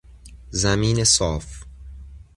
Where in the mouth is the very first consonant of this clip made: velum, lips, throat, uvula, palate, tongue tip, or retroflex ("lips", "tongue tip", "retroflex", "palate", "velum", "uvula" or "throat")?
tongue tip